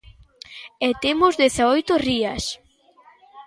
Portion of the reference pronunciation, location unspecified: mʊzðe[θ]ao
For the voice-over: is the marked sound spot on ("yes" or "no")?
yes